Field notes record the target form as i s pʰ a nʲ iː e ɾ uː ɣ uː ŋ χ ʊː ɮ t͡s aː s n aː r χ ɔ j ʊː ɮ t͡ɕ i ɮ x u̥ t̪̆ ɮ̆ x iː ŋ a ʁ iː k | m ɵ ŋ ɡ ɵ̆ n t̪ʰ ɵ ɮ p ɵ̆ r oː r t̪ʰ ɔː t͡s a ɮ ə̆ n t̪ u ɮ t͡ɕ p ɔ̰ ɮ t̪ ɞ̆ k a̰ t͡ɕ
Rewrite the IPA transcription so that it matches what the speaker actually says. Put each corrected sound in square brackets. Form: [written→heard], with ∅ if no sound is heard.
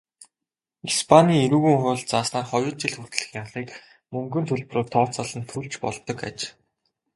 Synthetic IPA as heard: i s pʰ a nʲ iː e ɾ uː ɣ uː ŋ χ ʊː ɮ t͡s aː s n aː r χ ɔ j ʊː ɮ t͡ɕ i ɮ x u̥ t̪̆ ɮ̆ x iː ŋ a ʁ iː k | m ɵ ŋ ɡ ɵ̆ n t̪ʰ ɵ ɮ p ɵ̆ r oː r t̪ʰ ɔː t͡s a ɮ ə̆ n [t̪→t̪ʰ] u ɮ t͡ɕ p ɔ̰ ɮ t̪ ɞ̆ k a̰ t͡ɕ